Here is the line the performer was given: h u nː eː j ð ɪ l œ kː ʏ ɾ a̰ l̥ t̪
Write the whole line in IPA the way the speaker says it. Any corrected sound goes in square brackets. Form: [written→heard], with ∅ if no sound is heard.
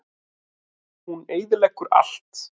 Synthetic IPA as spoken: h u [nː→n] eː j ð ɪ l [œ→ɛ] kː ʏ ɾ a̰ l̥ t̪